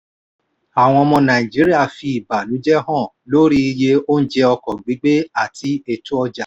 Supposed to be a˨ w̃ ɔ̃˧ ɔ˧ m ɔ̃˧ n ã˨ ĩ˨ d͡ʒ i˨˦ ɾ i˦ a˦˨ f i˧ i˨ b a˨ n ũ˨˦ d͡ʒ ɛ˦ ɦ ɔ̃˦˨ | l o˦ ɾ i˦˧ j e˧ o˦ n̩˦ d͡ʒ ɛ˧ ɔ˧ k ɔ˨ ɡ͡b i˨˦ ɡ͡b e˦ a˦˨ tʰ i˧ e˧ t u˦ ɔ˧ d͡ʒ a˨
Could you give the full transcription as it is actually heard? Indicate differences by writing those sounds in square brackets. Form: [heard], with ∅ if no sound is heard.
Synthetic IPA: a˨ w̃ ɔ̃˧ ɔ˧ m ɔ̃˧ n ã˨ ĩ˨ d͡ʒ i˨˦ ɾ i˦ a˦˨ f i˧ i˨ b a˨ n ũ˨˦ d͡ʒ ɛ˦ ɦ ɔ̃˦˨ | l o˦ ɾ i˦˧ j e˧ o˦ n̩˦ d͡ʒ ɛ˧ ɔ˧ k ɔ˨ ɡ͡b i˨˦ ɡ͡b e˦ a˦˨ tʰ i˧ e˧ t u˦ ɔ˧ d͡ʒ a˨